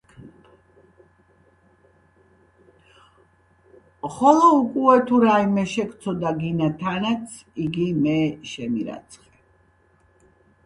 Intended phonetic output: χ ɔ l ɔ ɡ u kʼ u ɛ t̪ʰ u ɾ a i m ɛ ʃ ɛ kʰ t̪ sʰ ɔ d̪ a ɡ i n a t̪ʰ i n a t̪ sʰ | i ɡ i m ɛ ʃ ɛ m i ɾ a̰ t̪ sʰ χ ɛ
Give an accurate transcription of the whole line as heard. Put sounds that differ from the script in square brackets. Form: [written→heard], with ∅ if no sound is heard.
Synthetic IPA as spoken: χ ɔ l ɔ [ɡ→∅] u kʼ u ɛ t̪ʰ u ɾ a i m ɛ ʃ ɛ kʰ t̪ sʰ ɔ d̪ a ɡ i n a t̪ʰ [i→a] n a t̪ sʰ | i ɡ i m ɛ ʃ ɛ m i ɾ a̰ t̪ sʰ χ ɛ